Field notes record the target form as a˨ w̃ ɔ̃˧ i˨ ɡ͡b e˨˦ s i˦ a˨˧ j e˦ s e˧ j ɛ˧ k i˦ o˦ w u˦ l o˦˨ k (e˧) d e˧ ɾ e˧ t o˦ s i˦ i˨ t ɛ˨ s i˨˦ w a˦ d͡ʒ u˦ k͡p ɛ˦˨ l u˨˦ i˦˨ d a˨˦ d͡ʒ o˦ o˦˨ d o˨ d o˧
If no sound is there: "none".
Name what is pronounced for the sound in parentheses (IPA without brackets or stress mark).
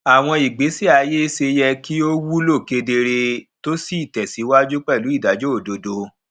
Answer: e˧